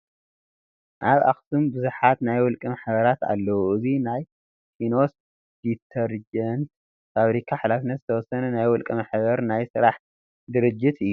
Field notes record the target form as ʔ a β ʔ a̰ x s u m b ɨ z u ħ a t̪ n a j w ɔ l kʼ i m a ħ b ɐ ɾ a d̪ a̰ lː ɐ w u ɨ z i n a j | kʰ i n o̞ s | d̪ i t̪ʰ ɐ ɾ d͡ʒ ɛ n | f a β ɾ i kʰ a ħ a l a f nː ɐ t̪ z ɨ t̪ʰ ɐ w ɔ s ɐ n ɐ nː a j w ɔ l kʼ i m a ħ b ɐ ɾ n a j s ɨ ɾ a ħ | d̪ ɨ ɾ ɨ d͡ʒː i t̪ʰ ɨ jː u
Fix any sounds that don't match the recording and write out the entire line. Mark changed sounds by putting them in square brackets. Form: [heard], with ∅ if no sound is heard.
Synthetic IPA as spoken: ʔ a β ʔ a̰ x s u m b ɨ z u ħ a t̪ n a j w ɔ l kʼ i m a ħ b ɐ ɾ a [t̪] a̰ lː ɐ w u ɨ z i n a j | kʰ i n o̞ s | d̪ i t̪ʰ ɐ ɾ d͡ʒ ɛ n | f a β ɾ i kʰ a ħ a l a f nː ɐ t̪ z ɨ t̪ʰ ɐ w ɔ s ɐ n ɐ [n] a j w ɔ l kʼ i m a ħ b ɐ ɾ n a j s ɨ ɾ a ħ | d̪ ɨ ɾ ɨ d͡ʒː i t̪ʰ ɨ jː u